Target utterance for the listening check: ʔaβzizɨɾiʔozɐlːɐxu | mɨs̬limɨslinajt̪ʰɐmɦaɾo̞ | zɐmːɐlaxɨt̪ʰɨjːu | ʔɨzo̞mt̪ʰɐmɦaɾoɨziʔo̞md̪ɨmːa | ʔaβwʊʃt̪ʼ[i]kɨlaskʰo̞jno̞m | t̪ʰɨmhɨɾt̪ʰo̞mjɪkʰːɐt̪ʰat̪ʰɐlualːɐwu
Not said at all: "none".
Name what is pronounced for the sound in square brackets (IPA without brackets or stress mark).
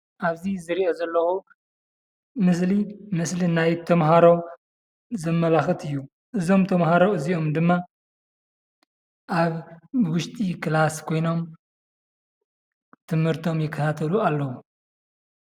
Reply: i